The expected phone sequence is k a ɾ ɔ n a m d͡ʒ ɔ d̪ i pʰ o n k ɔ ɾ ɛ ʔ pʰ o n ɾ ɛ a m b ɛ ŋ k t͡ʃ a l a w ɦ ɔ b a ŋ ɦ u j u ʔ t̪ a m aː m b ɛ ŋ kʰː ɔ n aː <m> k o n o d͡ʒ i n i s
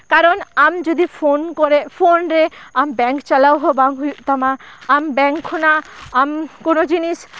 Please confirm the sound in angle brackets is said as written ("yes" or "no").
yes